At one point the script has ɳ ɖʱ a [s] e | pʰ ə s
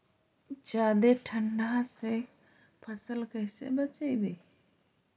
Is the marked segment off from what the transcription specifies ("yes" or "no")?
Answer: no